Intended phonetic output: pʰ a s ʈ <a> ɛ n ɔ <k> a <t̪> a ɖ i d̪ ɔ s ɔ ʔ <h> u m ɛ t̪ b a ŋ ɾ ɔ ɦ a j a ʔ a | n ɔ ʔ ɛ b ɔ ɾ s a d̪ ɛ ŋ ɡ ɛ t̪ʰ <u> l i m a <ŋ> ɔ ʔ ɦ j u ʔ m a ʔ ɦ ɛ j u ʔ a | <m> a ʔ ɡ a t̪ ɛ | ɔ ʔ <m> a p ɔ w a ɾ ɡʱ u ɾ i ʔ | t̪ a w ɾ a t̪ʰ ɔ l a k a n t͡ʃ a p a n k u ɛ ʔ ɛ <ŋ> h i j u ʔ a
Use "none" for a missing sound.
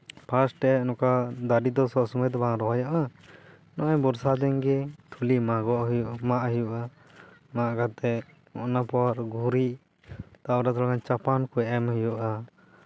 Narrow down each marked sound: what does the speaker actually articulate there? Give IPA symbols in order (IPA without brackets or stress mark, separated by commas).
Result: ɛ, k, d̪, s, u, ɡ, m, n, m